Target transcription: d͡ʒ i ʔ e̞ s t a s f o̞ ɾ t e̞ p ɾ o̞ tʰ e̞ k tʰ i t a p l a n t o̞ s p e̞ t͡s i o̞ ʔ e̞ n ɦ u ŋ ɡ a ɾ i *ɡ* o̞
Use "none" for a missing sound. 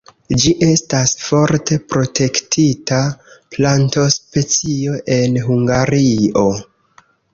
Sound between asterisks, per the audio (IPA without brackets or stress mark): none